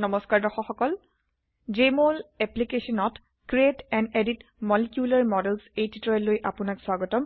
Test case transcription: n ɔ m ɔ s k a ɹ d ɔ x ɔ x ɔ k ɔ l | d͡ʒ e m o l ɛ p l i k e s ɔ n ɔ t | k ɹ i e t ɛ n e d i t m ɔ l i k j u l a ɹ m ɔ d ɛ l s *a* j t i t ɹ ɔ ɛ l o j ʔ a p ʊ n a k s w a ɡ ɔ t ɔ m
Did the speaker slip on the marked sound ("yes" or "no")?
yes